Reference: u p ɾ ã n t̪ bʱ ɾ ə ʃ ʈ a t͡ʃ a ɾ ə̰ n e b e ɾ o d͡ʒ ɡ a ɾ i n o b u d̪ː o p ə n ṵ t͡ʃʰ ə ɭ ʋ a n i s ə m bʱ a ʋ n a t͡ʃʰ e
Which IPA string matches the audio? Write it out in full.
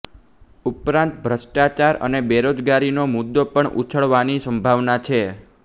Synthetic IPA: u p ɾ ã n t̪ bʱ ɾ ə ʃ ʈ a t͡ʃ a ɾ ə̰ n e b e ɾ o d͡ʒ ɡ a ɾ i n o m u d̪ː o p ə ɳ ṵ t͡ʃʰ ə ɭ ʋ a n i s ə m bʱ a ʋ n a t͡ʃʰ e